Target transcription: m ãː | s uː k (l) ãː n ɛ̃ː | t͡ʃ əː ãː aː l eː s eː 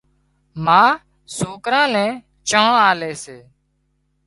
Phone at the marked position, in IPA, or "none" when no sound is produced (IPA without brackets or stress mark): ɾ